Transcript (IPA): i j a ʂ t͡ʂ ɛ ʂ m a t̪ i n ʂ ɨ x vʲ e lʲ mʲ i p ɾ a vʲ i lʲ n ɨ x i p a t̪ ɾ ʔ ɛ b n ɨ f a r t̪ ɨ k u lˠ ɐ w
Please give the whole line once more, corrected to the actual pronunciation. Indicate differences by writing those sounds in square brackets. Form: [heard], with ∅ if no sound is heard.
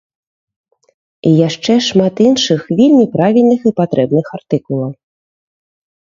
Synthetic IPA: i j a ʂ t͡ʂ ɛ ʂ m a t̪ i n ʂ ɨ x vʲ e lʲ mʲ i p ɾ a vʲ i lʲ n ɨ x i p a t̪ ɾ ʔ ɛ b n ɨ [x] a r t̪ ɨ k u lˠ ɐ w